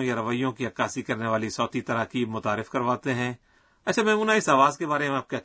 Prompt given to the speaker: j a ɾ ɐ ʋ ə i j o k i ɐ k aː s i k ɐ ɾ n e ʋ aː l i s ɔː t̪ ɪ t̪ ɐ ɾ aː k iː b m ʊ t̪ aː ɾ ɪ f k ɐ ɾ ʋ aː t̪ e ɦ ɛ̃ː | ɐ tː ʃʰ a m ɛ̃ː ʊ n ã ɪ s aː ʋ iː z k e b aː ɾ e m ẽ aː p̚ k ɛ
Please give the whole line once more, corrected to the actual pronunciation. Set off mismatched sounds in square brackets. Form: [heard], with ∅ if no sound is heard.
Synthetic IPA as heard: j a ɾ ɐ ʋ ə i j [õ] k i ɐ k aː s i k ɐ ɾ n e ʋ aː l i s ɔː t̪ [i] t̪ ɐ ɾ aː k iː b m ʊ t̪ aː ɾ ɪ f k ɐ ɾ ʋ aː t̪ e ɦ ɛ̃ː | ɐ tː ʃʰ a m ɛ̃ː ʊ n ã ɪ s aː ʋ [aː] z k e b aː ɾ e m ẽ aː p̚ k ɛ